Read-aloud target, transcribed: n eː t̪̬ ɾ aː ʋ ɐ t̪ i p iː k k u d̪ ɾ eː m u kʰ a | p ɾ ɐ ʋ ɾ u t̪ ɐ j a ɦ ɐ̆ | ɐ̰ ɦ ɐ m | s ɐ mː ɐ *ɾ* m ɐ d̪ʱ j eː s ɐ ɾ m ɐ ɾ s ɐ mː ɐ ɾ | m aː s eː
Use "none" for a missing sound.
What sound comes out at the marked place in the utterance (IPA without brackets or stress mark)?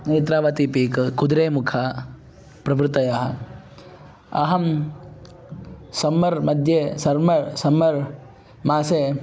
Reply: ɾ